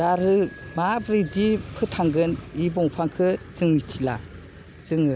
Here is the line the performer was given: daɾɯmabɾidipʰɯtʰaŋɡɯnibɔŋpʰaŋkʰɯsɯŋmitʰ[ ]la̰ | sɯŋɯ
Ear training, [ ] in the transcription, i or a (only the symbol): i